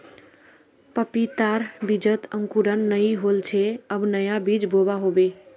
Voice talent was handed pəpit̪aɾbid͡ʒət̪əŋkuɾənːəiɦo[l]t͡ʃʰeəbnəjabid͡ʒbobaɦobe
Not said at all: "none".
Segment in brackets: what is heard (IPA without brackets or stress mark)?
l